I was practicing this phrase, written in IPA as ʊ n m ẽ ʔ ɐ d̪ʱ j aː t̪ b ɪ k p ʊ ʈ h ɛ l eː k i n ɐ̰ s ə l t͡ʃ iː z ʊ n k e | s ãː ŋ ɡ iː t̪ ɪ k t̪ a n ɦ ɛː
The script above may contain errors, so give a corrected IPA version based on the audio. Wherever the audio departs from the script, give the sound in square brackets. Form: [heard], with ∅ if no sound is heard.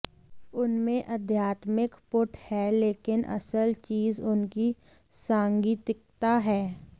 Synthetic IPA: ʊ n m ẽ ʔ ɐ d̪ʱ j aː t̪ [m] ɪ k p ʊ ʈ h ɛ l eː k [ɪ] n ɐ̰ s ə l t͡ʃ iː z ʊ n k [i] | s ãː ŋ ɡ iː t̪ ɪ k t̪ a [∅] ɦ ɛː